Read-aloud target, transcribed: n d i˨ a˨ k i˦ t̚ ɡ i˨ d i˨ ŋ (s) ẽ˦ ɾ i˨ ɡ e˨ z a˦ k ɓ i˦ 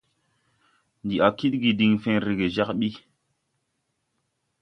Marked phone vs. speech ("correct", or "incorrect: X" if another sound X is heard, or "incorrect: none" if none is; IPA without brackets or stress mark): incorrect: f